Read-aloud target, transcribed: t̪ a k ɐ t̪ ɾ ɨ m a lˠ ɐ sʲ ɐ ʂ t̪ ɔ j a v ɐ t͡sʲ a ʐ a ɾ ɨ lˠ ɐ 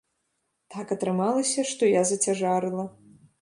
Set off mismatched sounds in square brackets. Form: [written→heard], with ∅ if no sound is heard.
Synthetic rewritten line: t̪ a k ɐ t̪ ɾ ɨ m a lˠ ɐ sʲ ɐ ʂ t̪ ɔ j a [v→z] ɐ t͡sʲ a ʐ a ɾ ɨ lˠ ɐ